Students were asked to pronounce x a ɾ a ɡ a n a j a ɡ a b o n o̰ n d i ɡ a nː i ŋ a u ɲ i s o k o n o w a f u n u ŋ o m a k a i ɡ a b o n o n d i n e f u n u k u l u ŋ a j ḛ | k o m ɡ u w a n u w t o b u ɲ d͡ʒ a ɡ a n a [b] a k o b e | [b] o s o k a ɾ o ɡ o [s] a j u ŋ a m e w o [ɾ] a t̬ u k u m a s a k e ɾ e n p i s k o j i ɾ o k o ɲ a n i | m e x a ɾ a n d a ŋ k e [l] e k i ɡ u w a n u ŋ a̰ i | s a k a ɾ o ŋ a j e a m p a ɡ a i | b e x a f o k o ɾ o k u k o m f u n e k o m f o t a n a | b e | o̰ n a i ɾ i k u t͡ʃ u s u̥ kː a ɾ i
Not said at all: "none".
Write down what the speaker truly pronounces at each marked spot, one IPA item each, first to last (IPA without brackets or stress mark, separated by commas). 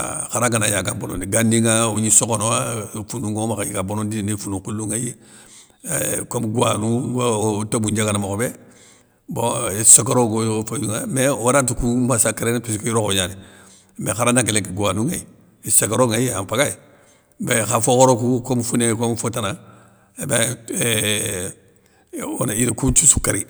m, b, f, ɾ, l